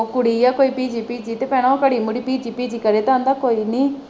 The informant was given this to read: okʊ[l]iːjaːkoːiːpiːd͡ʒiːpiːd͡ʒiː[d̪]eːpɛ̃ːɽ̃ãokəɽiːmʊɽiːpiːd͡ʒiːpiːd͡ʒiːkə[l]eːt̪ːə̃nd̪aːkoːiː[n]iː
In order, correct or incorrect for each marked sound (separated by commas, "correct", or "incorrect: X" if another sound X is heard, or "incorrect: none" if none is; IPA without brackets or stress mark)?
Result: incorrect: ɽ, incorrect: t̪, incorrect: ɾ, correct